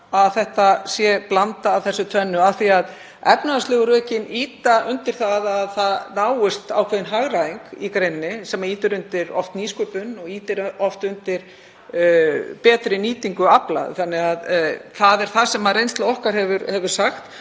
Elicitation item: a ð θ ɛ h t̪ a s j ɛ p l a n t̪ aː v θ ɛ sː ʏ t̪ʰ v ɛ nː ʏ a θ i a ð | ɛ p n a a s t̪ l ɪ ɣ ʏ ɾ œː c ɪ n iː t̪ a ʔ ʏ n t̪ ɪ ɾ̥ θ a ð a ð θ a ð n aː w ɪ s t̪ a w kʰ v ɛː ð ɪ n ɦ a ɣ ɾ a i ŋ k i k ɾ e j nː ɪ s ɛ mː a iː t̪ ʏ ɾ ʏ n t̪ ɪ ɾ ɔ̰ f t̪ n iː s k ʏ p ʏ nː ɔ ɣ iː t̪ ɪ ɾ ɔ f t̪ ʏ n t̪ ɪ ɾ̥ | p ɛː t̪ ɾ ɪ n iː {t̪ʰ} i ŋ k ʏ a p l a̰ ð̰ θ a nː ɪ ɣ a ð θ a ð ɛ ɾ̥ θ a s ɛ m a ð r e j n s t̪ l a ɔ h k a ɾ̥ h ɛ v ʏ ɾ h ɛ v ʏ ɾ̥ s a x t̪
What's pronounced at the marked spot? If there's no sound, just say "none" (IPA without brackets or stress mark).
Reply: t̪